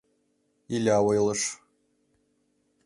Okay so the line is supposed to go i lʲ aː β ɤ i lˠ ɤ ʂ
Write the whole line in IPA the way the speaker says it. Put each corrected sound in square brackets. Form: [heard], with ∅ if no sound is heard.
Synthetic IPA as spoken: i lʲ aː [w] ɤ [j] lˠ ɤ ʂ